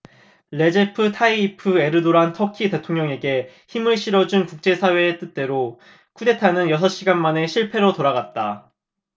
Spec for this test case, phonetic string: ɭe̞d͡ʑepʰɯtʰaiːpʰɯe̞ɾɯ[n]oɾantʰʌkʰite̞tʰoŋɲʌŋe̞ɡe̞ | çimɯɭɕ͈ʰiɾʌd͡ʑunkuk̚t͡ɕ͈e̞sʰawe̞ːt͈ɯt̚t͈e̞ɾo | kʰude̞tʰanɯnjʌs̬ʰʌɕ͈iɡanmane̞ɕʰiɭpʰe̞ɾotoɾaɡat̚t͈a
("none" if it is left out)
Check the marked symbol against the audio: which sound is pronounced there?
d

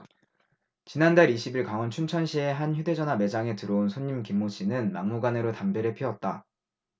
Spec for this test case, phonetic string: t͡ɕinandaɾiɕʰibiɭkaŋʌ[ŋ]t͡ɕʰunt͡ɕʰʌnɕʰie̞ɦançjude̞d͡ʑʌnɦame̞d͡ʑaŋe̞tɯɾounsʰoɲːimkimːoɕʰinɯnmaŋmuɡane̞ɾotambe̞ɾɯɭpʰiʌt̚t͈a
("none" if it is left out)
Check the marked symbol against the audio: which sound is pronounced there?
n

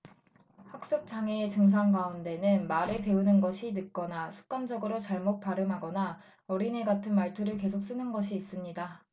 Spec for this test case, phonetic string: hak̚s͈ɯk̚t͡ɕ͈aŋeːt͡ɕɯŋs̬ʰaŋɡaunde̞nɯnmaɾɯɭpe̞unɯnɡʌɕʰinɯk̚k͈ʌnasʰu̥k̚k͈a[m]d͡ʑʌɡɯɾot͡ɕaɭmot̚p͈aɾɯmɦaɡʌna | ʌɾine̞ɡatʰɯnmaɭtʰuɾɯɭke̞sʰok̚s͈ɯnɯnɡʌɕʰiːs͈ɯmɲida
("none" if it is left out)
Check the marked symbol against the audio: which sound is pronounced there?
n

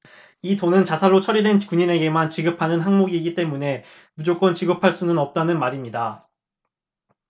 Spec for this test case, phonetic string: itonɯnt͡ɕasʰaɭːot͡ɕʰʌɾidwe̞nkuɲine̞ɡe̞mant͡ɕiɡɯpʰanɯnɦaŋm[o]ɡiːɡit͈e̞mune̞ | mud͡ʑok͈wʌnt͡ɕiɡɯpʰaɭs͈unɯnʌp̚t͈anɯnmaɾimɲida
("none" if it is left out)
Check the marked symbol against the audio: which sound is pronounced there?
o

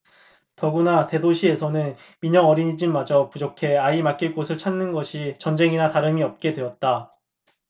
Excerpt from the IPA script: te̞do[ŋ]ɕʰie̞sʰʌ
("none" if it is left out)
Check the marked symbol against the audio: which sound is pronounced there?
none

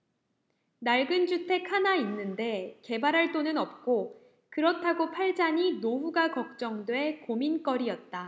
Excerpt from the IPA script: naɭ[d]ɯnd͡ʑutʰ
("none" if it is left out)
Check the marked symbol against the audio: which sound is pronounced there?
ɡ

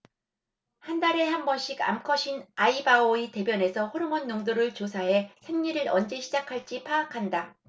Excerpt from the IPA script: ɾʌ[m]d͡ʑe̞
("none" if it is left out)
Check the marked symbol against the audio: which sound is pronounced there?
n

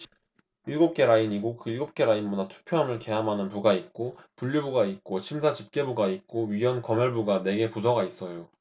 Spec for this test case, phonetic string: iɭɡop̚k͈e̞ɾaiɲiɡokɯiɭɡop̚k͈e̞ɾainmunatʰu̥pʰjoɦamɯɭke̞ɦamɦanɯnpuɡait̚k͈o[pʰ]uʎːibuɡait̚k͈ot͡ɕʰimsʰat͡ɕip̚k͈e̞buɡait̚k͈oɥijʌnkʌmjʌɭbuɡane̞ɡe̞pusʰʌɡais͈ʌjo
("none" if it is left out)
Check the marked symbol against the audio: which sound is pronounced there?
p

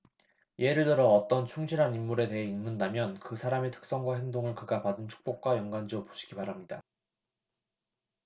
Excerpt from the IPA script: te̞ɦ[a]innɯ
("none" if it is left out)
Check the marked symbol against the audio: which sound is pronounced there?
e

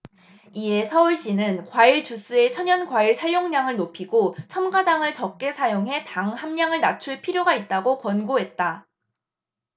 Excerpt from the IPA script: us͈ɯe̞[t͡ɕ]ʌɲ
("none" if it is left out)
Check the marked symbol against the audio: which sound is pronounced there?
t͡ɕʰ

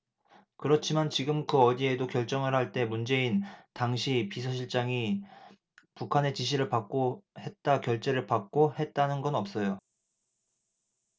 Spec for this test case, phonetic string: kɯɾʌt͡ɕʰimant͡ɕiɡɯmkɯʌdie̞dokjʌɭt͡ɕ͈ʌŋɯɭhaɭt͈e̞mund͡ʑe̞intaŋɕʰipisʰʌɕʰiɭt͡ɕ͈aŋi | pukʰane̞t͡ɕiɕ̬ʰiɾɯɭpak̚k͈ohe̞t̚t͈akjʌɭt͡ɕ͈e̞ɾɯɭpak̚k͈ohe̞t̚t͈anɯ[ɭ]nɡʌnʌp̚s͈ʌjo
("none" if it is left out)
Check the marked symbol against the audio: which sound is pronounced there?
none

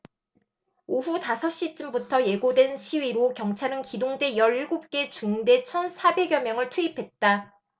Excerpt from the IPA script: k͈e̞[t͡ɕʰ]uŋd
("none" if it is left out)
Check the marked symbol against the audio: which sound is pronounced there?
t͡ɕ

